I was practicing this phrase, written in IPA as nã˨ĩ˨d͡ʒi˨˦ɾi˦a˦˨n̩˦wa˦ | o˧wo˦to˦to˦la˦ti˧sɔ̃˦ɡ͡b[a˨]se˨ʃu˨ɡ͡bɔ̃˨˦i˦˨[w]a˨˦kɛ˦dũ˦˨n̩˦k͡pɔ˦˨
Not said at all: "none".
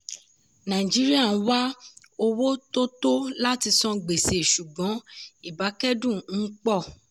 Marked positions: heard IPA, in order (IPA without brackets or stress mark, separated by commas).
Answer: e˨, b